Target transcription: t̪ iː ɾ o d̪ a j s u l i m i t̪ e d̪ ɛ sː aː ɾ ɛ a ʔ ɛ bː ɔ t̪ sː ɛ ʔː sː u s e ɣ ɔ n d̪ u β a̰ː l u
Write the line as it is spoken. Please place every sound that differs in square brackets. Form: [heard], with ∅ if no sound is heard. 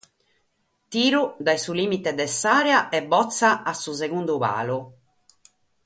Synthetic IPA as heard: t̪ iː ɾ [u] d̪ a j s u l i m i t̪ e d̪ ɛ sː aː ɾ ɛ a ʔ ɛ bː ɔ t̪ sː [a] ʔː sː u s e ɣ [u] n d̪ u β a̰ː l u